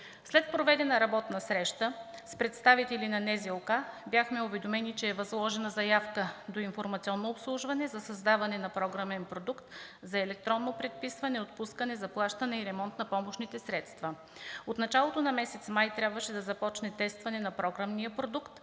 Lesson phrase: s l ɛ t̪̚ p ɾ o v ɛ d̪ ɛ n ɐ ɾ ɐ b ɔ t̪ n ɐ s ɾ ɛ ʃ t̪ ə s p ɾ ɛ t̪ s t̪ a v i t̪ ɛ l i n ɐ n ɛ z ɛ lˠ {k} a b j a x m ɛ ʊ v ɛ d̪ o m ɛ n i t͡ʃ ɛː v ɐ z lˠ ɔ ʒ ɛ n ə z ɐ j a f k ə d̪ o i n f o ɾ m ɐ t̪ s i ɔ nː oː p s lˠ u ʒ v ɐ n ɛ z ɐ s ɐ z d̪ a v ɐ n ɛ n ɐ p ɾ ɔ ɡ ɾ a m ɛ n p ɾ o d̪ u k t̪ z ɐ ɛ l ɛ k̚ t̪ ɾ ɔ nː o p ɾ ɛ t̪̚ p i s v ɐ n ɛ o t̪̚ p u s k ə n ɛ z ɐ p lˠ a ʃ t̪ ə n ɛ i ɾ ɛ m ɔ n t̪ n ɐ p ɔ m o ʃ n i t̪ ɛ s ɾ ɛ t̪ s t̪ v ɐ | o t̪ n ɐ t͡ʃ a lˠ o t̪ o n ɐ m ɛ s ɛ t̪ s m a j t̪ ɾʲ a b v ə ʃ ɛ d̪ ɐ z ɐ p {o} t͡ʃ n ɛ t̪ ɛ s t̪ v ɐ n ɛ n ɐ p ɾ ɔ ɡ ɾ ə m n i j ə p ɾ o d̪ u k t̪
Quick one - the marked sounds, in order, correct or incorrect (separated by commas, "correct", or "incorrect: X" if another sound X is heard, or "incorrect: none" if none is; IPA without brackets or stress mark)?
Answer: correct, incorrect: ɔ